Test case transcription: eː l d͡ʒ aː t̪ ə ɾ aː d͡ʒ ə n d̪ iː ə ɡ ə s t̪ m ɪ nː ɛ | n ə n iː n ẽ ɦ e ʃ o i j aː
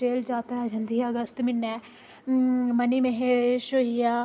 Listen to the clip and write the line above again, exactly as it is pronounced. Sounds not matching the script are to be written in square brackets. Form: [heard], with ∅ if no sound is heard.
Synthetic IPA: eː l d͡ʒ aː t̪ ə ɾ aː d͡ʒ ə n d̪ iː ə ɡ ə s t̪ m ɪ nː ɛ | [m] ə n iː [m] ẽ ɦ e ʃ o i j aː